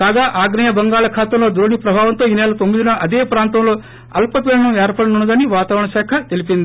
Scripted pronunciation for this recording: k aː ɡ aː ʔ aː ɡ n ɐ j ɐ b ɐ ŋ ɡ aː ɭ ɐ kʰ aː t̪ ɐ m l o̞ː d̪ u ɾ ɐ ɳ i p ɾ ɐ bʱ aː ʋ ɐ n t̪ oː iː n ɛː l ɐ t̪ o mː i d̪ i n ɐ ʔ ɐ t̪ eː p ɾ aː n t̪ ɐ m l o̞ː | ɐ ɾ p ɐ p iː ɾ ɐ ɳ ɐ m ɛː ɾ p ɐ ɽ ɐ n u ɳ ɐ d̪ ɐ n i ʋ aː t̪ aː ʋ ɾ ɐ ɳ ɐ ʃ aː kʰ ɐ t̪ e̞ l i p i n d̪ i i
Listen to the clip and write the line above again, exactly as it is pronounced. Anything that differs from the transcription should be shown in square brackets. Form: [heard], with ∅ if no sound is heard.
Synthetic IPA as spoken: k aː ɡ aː ʔ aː ɡ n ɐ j ɐ b ɐ ŋ ɡ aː ɭ ɐ kʰ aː t̪ ɐ m l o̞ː d̪ u ɾ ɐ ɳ i p ɾ ɐ bʱ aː ʋ ɐ n t̪ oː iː n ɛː l ɐ t̪ o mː i d̪ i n ɐ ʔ ɐ [d̪] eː p ɾ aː n t̪ ɐ m l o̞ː | ɐ [l] p ɐ p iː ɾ ɐ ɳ ɐ m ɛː ɾ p ɐ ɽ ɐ n u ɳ ɐ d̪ ɐ n i ʋ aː t̪ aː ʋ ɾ ɐ ɳ ɐ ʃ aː kʰ ɐ t̪ e̞ l i p i n d̪ i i

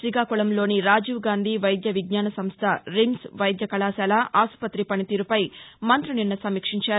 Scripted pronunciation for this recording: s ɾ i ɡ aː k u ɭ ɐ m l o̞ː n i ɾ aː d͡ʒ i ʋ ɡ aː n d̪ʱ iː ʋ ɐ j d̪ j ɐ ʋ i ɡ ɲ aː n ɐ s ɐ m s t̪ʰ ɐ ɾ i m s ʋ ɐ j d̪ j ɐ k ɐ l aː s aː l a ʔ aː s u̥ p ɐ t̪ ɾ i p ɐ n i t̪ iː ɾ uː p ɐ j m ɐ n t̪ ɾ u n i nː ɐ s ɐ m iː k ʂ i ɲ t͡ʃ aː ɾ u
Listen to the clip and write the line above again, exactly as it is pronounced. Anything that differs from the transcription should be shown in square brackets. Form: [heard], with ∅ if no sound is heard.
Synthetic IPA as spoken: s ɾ i ɡ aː k u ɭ ɐ m l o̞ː n i ɾ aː d͡ʒ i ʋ ɡ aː n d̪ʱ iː ʋ ɐ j d̪ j ɐ ʋ i ɡ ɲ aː n ɐ s ɐ m s t̪ʰ ɐ ɾ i m s ʋ ɐ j d̪ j ɐ k ɐ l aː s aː l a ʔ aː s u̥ p ɐ t̪ ɾ i p ɐ n i t̪ iː ɾ [u] p ɐ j m ɐ n t̪ ɾ u n i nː ɐ s ɐ m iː k ʂ i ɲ t͡ʃ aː ɾ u

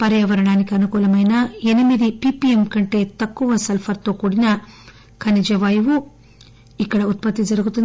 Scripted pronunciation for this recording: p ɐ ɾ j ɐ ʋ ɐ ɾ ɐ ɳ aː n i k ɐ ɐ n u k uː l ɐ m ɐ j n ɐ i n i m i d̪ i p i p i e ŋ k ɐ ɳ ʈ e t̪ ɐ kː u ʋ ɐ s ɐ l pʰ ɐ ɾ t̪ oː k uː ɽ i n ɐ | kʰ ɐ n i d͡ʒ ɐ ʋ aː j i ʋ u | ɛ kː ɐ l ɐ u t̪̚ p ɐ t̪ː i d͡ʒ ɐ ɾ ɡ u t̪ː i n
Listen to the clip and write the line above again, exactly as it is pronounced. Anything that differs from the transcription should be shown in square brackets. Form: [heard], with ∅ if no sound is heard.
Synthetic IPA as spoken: p ɐ ɾ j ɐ ʋ ɐ ɾ ɐ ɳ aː n i k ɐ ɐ n u k uː l ɐ m ɐ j n ɐ [e] n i m i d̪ i p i p i e [m] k ɐ ɳ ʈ e t̪ ɐ kː u ʋ ɐ s ɐ l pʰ ɐ ɾ t̪ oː k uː ɽ i n ɐ | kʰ ɐ n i d͡ʒ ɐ ʋ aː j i ʋ u | [i] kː ɐ [ɽ] ɐ u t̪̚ p ɐ t̪ː i d͡ʒ ɐ ɾ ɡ u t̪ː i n

